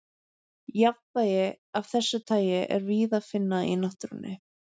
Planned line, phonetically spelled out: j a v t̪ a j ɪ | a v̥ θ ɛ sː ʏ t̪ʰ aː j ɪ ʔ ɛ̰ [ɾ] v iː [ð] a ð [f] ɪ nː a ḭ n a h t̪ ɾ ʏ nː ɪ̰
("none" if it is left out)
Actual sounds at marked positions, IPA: ɾ, ð, f

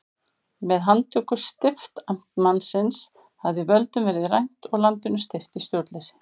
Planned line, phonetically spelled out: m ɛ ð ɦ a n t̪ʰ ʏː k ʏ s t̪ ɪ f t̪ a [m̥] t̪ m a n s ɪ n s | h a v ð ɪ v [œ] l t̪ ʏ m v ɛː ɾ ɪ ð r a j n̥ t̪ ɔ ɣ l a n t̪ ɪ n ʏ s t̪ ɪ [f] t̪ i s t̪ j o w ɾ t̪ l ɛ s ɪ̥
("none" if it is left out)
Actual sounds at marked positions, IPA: m̥, œ, f

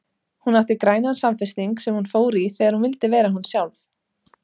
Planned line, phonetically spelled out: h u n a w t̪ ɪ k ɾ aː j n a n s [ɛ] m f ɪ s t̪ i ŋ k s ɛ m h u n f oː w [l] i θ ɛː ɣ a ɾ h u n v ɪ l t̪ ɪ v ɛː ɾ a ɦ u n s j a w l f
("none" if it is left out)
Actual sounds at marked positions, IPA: a, ɾ

